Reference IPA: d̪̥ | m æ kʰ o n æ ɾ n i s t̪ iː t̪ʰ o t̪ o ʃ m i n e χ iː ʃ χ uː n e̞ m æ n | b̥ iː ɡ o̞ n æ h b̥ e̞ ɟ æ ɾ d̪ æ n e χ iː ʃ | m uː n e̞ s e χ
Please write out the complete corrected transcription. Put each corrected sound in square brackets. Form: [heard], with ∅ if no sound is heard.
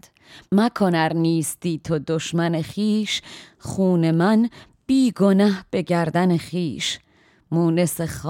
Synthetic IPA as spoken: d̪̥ | m æ kʰ o n æ ɾ n [iː] s t̪ iː t̪ʰ o [d̪] o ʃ m [æ] n e χ iː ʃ χ uː n e̞ m æ n | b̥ iː ɡ o̞ n æ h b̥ e̞ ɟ æ ɾ d̪ æ n e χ iː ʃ | m uː n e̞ s e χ